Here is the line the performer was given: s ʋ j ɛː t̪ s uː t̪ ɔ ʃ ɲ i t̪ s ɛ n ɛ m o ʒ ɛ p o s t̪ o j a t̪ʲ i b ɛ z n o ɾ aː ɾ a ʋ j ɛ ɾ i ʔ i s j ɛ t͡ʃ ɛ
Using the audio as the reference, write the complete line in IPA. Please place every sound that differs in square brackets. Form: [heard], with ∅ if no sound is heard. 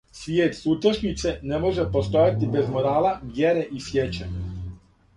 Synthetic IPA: s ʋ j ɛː t̪ s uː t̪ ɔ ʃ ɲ i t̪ s ɛ n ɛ m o ʒ ɛ p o s t̪ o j a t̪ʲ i b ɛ z [m] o ɾ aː [l] a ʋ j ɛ ɾ [ɛ] ʔ i s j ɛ t͡ʃ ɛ